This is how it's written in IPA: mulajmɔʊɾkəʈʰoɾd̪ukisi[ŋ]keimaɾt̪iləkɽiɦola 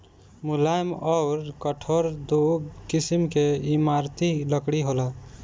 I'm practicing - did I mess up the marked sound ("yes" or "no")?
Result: yes